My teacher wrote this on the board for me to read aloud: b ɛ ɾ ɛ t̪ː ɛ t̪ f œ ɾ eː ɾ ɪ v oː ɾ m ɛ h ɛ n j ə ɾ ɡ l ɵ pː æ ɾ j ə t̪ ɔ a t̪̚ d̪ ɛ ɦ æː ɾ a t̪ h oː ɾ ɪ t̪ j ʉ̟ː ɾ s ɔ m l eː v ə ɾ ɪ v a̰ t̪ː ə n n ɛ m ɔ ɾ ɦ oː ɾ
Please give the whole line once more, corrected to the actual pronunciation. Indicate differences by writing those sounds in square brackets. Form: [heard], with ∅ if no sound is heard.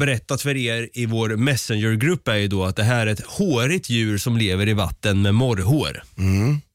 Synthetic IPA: b ɛ ɾ ɛ t̪ː [a] t̪ f œ ɾ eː ɾ ɪ v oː ɾ m ɛ [s] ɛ n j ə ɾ ɡ [ɾ] ɵ pː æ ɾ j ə [d̪] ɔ a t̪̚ d̪ ɛ ɦ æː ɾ [ɛ] t̪ h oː ɾ ɪ t̪ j ʉ̟ː ɾ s ɔ m l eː v ə ɾ ɪ v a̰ t̪ː ə n [m] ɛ m ɔ ɾ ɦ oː ɾ